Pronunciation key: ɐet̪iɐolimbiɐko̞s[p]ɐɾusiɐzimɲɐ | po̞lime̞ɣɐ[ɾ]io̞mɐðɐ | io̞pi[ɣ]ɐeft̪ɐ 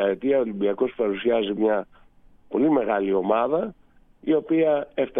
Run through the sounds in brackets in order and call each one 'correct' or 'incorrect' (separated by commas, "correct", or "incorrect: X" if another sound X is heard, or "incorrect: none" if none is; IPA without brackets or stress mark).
correct, incorrect: l, incorrect: none